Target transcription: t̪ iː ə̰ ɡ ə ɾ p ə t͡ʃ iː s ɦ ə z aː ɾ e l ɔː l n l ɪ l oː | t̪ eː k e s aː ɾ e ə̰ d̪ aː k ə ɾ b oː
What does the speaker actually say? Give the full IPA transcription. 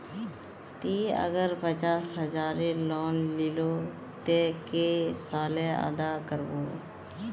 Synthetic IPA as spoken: t̪ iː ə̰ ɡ ə ɾ p ə t͡ʃ aː s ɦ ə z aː ɾ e l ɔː n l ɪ l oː | t̪ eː k e s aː l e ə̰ d̪ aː k ə ɾ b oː